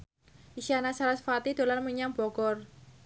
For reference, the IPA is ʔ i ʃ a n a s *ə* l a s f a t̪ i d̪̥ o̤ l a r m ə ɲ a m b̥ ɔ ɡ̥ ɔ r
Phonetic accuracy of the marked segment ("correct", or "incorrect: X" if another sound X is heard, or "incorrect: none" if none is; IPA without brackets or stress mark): incorrect: a